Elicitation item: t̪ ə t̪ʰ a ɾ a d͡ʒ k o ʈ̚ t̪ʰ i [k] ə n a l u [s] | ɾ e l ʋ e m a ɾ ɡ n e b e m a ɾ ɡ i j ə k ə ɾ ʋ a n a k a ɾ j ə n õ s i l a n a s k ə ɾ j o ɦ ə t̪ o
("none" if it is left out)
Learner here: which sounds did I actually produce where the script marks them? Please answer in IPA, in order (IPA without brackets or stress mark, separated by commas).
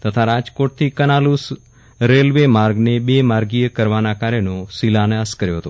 k, s